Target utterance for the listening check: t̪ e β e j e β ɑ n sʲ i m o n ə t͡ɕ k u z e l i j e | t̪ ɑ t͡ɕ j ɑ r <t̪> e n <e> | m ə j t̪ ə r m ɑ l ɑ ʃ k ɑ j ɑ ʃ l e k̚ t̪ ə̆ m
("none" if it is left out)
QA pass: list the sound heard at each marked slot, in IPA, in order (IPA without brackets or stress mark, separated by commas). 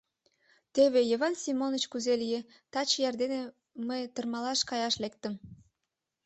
d̪, e